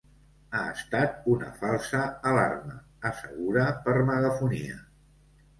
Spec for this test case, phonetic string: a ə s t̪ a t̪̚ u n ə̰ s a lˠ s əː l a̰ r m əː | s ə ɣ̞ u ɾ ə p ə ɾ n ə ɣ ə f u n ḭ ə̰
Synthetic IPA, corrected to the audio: a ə s t̪ a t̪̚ u n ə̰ f a lˠ s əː l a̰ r m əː | s ə ɣ̞ u ɾ ə p ə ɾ m ə ɣ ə f u n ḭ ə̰

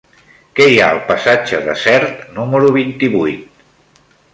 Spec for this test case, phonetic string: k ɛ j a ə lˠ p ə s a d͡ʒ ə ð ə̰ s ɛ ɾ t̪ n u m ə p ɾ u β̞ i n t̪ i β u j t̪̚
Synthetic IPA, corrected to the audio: k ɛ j a ə lˠ p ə s a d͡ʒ ə ð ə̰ s ɛ ɾ t̪ n u m ə ɾ u β̞ i n t̪ i β u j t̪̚

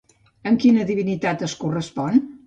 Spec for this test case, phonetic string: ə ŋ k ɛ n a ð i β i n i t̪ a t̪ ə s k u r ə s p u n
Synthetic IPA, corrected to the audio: ə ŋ k i n ə ð i β i n i t̪ a t̪ ə s k u r ə s p ɔ n

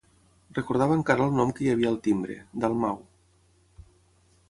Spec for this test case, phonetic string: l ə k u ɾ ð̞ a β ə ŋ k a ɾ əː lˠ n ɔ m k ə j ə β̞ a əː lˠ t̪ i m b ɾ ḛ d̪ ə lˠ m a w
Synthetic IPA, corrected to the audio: r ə k u ɾ ð̞ a β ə ŋ k a ɾ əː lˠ n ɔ m k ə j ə β̞ i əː lˠ t̪ i m b ɾ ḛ d̪ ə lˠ m a w

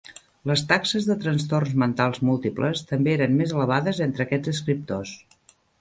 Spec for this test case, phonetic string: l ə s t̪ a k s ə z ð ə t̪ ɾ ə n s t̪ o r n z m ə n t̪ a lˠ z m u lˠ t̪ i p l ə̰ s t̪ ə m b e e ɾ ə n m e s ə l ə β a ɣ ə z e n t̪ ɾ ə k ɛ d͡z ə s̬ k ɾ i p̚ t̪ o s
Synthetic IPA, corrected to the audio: l ə s t̪ a k s ə z ð ə t̪ ɾ ə n s t̪ o r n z m ə n t̪ a lˠ z m u lˠ t̪ i p l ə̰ s t̪ ə m b e e ɾ ə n m e z ə l ə β a ð ə z e n t̪ ɾ ə k ɛ d͡z ə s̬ k ɾ i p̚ t̪ o s

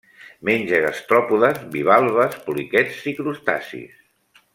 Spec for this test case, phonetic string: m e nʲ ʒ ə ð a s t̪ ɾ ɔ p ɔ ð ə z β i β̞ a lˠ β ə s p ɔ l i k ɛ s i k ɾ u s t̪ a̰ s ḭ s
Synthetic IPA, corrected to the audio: m e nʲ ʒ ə ɣ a s t̪ ɾ ɔ p u ð ə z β i β̞ a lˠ β ə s p u l i k ɛ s i k ɾ u s t̪ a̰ s ḭ s

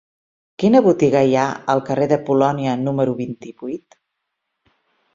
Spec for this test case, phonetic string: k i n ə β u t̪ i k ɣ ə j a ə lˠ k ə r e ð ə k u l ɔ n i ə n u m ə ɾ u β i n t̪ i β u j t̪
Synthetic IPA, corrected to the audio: k i n ə β u t̪ i ɣ ə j a ə lˠ k ə r e ð ə p u l ɔ n i ə n u m ə ɾ u β i n t̪ i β u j t̪

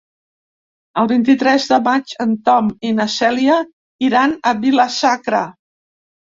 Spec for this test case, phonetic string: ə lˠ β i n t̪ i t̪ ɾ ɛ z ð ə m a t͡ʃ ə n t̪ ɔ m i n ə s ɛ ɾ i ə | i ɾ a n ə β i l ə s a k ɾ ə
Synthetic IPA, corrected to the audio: ə lˠ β i n t̪ i t̪ ɾ ɛ z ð ə m a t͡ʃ ə n t̪ ɔ m i n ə s ɛ l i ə | i ɾ a n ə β i l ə s a k ɾ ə

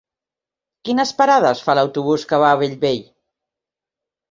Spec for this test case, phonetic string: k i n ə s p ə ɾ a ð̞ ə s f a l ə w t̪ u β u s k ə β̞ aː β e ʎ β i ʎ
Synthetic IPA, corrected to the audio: k i n ə s p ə ɾ a ð̞ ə s f a l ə w t̪ u β u s k ə β̞ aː β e ʎ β e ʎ

